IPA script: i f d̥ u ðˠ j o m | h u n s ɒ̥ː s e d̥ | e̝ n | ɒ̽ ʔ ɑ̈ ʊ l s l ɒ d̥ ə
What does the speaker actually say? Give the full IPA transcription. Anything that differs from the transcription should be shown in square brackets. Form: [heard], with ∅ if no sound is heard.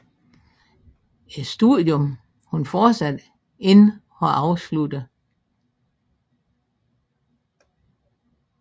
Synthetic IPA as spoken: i [s] d̥ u ðˠ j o m | h u n [f] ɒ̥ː s [æ] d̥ | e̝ n | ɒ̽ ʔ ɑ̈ ʊ [∅] s l [u] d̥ ə